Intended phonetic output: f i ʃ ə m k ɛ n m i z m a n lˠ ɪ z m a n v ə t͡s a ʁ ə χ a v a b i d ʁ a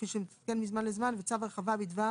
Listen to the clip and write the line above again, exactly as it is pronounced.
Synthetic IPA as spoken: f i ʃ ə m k ɛ n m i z m a n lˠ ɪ z m a n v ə t͡s a v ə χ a v a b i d v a